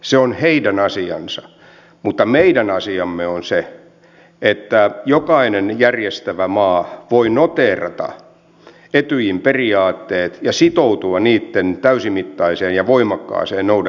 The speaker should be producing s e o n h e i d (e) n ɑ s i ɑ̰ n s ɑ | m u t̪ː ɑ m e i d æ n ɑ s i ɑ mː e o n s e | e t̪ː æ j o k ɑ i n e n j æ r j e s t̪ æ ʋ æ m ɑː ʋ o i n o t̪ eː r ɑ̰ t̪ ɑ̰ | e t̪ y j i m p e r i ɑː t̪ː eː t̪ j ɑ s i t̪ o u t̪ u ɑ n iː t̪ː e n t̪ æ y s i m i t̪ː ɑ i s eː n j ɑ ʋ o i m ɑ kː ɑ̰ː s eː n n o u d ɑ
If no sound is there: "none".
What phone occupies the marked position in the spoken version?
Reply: æ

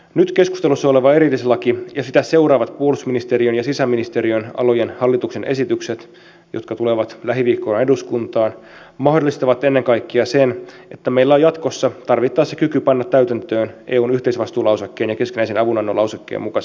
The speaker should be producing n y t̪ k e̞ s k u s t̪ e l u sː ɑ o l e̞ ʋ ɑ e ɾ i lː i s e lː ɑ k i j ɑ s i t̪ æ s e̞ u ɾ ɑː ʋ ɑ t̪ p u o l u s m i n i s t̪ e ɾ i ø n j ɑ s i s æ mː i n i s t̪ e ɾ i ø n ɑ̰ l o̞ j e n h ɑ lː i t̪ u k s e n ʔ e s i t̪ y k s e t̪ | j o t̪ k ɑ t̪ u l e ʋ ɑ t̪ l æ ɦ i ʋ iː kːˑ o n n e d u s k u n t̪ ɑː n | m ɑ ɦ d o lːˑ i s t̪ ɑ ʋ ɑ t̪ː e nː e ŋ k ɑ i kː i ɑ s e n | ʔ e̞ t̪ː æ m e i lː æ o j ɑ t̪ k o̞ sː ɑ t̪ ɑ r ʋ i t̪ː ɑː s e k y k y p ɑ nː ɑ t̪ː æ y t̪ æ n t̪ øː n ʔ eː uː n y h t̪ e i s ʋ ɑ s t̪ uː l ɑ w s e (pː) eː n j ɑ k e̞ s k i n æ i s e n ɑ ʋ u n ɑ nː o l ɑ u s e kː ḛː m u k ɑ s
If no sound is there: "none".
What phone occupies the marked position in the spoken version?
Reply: kː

